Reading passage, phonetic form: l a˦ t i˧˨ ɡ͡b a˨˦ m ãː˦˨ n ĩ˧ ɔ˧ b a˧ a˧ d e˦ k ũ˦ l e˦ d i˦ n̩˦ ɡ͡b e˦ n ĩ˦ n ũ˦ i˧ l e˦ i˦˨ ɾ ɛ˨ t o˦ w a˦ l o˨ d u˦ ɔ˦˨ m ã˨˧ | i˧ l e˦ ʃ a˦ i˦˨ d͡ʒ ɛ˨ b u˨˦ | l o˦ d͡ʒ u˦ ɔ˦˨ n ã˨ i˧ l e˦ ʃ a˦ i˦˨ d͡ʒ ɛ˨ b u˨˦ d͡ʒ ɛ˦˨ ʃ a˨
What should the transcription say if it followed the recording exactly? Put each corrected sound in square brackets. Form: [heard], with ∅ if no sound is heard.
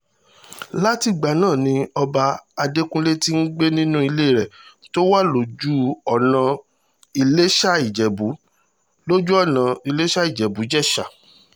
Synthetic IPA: l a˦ t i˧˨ ɡ͡b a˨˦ [n] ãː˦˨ n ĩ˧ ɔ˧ b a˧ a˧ d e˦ k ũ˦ l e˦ [t] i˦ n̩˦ ɡ͡b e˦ n ĩ˦ n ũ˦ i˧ l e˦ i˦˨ ɾ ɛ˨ t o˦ w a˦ l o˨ [d͡ʒ] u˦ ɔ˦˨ [n] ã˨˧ | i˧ l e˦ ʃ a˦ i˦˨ d͡ʒ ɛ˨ b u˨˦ | l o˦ d͡ʒ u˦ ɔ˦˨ n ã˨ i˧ l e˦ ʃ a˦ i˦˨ d͡ʒ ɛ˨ b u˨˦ d͡ʒ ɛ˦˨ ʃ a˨